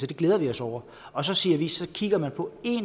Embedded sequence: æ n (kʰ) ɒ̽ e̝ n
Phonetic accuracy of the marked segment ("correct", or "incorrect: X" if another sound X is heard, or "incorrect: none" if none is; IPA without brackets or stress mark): incorrect: pʰ